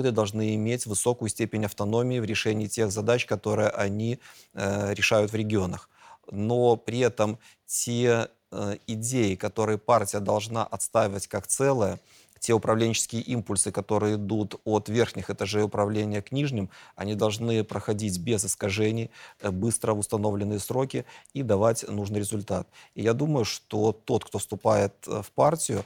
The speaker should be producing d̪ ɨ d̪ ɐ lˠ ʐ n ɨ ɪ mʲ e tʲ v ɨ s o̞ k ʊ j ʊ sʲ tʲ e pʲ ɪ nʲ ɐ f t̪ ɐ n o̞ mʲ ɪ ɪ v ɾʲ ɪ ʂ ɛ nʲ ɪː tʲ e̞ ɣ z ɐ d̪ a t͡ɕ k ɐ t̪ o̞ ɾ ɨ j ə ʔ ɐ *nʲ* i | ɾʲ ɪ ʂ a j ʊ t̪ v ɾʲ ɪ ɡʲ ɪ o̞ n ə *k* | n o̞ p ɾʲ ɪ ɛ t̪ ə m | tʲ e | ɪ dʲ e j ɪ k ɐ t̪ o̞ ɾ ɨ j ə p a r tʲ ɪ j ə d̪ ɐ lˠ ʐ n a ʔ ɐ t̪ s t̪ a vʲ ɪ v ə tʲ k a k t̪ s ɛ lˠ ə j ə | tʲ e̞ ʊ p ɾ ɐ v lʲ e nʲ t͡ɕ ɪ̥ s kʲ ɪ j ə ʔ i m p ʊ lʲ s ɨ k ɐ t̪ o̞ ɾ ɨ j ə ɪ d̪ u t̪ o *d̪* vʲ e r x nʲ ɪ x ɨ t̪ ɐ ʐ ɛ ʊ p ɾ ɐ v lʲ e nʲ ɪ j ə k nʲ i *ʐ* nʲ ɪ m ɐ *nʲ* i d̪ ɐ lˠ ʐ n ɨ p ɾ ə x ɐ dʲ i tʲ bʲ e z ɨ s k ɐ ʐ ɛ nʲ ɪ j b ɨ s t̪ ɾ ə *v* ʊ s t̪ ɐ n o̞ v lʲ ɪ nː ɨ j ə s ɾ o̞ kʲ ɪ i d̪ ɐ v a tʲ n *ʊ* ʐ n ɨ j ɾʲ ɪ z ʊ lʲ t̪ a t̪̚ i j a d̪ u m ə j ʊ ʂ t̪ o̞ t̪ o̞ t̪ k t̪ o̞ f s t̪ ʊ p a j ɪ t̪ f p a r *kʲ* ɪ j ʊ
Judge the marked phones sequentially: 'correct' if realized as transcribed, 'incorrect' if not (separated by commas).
correct, incorrect, incorrect, correct, correct, correct, incorrect, incorrect